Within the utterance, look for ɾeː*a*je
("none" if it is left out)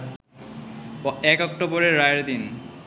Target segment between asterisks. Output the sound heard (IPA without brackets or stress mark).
a